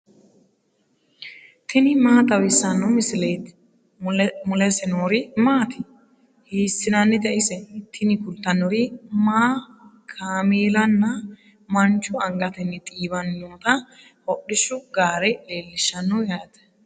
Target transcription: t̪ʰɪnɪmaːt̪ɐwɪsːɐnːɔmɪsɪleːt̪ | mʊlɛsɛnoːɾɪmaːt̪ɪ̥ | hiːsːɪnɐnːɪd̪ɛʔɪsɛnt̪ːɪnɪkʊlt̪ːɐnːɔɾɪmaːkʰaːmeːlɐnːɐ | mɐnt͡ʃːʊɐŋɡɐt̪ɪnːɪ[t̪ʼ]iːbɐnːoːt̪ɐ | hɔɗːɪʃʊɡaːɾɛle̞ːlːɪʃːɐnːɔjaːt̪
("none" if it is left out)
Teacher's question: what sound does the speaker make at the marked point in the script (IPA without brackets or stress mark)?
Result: t̪ʼ